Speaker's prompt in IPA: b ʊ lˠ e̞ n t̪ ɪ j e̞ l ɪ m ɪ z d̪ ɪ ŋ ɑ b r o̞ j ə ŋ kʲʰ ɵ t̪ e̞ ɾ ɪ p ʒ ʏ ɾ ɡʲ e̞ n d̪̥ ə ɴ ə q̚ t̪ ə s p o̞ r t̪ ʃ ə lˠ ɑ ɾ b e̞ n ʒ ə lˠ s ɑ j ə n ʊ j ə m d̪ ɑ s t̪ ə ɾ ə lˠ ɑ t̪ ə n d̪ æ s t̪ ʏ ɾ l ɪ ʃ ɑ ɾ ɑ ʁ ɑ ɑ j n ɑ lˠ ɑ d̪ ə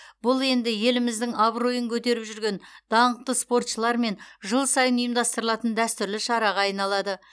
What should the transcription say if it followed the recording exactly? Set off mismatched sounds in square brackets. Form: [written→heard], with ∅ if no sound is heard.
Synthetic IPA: b ʊ lˠ e̞ n [t̪→d̪] ɪ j e̞ l ɪ m ɪ z d̪ ɪ ŋ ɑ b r o̞ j ə ŋ kʲʰ ɵ t̪ e̞ ɾ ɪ p ʒ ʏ ɾ ɡʲ e̞ n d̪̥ [ə→ɑ] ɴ ə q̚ t̪ ə s p o̞ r t̪ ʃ ə lˠ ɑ ɾ [b→m] e̞ n ʒ ə lˠ s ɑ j ə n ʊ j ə m d̪ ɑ s t̪ ə ɾ ə lˠ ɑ t̪ ə n d̪ æ s t̪ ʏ ɾ l ɪ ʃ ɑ ɾ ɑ ʁ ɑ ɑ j n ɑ lˠ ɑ d̪ ə